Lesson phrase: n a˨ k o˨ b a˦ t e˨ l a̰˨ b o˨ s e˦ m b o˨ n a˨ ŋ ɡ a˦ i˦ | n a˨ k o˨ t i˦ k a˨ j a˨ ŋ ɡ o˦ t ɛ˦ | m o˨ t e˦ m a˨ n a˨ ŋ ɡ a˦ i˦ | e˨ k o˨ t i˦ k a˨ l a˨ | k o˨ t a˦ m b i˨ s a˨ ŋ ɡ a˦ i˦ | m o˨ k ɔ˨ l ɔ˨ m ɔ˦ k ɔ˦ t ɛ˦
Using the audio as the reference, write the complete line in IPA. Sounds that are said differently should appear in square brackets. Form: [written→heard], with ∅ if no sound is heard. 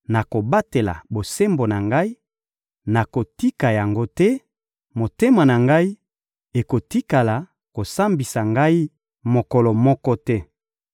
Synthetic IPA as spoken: n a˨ k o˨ b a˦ t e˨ l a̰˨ b o˨ s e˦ m b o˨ n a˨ ŋ ɡ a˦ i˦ | n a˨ k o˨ t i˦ k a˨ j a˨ ŋ ɡ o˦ t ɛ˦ | m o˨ t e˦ m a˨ n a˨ ŋ ɡ a˦ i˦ | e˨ k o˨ t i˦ k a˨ l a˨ | k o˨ [t→s] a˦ m b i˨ s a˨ ŋ ɡ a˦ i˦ | m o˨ k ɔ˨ l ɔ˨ m ɔ˦ k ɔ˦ t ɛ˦

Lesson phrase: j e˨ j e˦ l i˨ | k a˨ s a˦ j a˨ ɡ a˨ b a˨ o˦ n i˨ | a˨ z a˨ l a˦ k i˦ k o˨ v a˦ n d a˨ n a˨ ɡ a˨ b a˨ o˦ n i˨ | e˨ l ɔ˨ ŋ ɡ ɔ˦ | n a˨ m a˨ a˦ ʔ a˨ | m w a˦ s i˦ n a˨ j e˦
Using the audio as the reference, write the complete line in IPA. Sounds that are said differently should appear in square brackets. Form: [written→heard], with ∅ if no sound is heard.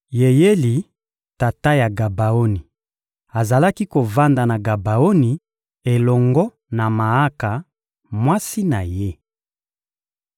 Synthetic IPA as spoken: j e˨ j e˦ l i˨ | [k→t] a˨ [s→t] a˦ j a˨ ɡ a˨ b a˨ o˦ n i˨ | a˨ z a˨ l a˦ k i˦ k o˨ v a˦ n d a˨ n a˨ ɡ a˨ b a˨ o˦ n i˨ | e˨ l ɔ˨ ŋ ɡ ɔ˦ | n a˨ m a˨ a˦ [ʔ→k] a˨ | m w a˦ s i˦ n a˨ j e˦

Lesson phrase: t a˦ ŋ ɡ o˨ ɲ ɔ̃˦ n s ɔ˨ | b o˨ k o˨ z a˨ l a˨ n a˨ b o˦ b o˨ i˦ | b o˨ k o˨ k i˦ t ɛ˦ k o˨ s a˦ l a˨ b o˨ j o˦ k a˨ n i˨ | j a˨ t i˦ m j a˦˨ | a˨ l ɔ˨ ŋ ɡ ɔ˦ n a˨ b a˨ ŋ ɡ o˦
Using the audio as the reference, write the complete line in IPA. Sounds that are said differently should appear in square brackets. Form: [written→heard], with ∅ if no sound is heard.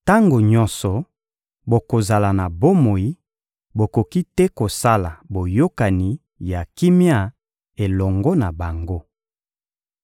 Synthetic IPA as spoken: t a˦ ŋ ɡ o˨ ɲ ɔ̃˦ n s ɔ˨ | b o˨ k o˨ z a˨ l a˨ n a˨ b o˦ [b→m] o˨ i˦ | b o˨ k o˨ k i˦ t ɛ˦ k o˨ s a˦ l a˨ b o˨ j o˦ k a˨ n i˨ | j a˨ [t→k] i˦ m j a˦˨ | [a˨→e˨] l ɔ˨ ŋ ɡ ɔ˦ n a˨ b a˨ ŋ ɡ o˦

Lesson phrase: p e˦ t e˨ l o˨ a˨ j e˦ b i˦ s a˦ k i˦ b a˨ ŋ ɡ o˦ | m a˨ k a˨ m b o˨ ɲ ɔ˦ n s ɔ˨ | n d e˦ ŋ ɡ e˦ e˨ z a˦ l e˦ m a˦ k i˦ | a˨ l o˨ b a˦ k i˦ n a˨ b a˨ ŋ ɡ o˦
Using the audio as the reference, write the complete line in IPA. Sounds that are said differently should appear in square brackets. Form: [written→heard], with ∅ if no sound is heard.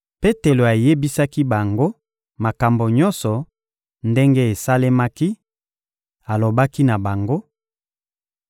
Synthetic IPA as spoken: p e˦ t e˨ l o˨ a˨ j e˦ b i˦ s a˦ k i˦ b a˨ ŋ ɡ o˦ | m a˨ k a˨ m b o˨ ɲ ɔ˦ n s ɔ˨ | n d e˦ ŋ ɡ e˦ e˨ [z→s] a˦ l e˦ m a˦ k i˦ | a˨ l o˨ b a˦ k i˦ n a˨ b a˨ ŋ ɡ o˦

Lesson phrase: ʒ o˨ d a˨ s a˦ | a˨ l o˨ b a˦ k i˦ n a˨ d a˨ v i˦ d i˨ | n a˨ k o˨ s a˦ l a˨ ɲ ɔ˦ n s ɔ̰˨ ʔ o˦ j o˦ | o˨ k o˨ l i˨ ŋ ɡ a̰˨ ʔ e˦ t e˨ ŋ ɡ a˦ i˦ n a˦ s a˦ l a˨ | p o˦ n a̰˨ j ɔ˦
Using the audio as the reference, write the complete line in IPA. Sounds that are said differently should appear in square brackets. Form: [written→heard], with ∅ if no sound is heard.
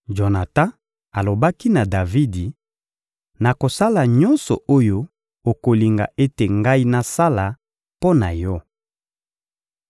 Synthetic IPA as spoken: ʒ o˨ [d→n] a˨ [s→t] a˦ | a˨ l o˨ b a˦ k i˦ n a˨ d a˨ v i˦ d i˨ | n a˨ k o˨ s a˦ l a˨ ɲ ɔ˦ n s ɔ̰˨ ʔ o˦ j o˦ | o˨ k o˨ l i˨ ŋ ɡ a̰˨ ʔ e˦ t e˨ ŋ ɡ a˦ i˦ n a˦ s a˦ l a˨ | p o˦ n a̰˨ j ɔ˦

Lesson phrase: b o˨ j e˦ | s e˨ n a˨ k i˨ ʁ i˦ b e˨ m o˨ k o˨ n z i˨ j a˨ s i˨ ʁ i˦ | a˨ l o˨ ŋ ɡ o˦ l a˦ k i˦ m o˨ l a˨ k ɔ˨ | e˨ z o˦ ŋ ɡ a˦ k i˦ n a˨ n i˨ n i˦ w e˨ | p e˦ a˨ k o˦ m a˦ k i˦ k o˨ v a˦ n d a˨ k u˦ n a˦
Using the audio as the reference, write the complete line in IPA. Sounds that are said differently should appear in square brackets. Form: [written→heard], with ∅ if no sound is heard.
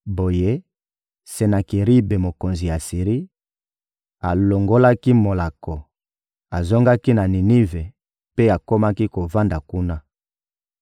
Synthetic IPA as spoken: b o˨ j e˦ | s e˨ n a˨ k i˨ ʁ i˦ b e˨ m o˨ k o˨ n z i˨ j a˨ s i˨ ʁ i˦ | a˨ l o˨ ŋ ɡ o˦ l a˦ k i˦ m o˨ l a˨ k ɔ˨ | [e˨→a˨] z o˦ ŋ ɡ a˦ k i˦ n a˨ n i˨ n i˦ [w→v] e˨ | p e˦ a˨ k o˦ m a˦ k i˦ k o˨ v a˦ n d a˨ k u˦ n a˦

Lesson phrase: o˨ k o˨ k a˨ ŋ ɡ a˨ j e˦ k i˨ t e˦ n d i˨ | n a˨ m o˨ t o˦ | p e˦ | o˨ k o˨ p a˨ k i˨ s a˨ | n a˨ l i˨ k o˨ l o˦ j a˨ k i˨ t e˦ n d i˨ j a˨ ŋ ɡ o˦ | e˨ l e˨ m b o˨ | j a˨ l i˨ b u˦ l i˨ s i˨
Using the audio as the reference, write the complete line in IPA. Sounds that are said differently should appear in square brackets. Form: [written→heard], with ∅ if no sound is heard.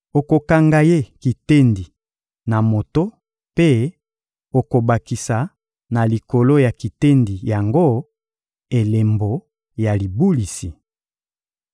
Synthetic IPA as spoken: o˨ k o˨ k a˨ ŋ ɡ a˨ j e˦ k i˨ t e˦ n d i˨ | n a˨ m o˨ t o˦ | p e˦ | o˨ k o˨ [p→b] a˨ k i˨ s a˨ | n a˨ l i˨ k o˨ l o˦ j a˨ k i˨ t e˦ n d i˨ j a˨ ŋ ɡ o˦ | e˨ l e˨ m b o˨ | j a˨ l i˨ b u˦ l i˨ s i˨

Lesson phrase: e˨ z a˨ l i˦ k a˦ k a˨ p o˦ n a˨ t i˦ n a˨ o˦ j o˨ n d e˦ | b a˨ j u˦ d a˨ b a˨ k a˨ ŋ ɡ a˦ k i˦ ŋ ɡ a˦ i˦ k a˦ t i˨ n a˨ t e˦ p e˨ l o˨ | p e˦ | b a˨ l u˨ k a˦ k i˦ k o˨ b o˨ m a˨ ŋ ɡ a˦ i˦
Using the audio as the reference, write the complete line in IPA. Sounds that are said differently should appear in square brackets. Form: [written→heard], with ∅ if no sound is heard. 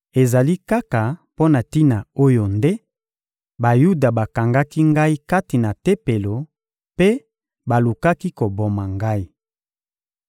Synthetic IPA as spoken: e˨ z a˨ l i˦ k a˦ k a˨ p o˦ n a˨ t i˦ n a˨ o˦ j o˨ n d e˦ | b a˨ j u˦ d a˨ b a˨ k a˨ ŋ ɡ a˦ k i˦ ŋ ɡ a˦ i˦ k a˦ t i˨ n a˨ t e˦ p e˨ l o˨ | p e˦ | b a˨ l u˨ k a˦ k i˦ k o˨ b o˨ m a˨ ŋ ɡ a˦ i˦

